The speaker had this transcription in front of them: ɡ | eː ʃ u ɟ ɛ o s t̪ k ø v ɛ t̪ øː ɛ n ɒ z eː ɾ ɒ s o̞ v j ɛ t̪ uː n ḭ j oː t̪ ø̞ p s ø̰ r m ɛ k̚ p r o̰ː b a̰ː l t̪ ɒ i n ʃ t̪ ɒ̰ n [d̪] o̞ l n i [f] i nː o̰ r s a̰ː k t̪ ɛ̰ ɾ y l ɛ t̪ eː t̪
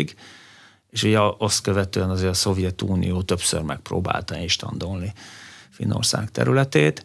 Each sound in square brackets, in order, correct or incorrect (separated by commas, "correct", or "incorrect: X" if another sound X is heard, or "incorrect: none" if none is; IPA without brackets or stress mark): correct, correct